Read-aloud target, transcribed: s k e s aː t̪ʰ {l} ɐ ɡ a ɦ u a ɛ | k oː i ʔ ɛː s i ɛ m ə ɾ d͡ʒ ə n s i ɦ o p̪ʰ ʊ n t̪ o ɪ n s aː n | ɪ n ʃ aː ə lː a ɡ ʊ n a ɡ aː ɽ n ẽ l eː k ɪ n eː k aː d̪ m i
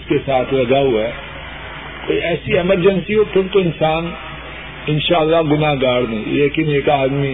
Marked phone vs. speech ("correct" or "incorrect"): correct